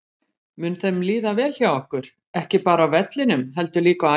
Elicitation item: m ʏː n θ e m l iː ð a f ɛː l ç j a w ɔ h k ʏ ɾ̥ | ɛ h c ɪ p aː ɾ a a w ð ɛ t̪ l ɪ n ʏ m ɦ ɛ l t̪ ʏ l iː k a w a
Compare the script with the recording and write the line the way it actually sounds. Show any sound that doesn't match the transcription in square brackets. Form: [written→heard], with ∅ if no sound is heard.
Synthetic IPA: m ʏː n θ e m l iː ð a [f→v] ɛː l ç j a w ɔ h k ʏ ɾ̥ | ɛ h c ɪ p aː ɾ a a w [ð→v] ɛ t̪ l ɪ n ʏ m ɦ ɛ l t̪ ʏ l iː k a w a